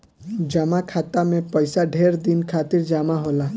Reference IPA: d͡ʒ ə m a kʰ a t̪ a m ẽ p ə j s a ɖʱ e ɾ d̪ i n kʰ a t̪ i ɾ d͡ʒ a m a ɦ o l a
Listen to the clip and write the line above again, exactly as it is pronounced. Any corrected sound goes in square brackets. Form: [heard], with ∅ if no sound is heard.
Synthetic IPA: d͡ʒ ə m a kʰ a t̪ a m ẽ p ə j s a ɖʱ e ɾ d̪ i n kʰ a t̪ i ɾ d͡ʒ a m a ɦ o l a